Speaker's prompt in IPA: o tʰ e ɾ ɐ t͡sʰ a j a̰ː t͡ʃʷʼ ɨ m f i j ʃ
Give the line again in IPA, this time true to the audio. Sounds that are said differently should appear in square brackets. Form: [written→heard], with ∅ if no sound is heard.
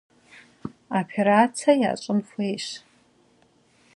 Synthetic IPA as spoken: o [tʰ→pʰ] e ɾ [ɐ→a] t͡sʰ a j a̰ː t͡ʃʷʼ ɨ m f [i→e] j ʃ

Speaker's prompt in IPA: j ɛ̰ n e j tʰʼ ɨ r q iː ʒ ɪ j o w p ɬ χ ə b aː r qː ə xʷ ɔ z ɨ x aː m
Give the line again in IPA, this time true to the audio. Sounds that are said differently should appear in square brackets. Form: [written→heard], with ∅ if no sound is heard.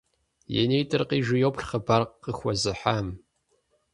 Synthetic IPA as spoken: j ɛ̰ n e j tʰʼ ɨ r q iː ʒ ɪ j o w p ɬ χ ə b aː r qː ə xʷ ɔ z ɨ [x→ħ] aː m

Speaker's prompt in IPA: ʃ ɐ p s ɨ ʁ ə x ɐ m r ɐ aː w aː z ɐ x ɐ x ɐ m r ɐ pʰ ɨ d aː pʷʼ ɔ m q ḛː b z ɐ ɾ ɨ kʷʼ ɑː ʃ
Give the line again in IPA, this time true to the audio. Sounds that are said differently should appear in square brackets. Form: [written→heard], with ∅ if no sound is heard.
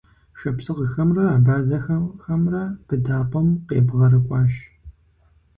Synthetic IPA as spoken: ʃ ɐ p s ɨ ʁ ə x ɐ m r ɐ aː [w→b] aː z ɐ x ɐ x ɐ m r ɐ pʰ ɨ d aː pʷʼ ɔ m q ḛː b [z→ʁ] ɐ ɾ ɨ kʷʼ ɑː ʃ

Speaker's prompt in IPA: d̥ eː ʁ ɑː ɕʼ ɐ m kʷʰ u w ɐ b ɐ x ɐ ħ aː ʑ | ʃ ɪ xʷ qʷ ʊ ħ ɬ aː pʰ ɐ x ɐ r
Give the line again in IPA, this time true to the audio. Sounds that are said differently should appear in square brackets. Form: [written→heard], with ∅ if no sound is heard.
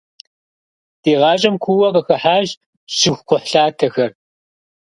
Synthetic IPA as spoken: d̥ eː ʁ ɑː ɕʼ ɐ m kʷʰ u w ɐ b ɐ x ɐ ħ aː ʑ | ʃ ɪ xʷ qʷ ʊ ħ ɬ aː [pʰ→tʰ] ɐ x ɐ r

